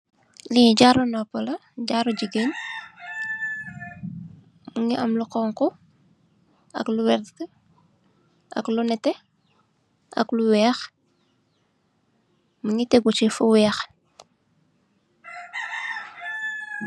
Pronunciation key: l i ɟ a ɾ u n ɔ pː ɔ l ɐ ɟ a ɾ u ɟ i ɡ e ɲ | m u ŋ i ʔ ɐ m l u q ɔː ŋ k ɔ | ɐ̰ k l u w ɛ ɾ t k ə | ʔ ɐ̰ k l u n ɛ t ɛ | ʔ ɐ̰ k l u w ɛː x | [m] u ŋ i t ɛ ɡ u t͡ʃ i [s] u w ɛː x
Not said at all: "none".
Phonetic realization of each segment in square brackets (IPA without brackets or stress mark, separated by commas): m, f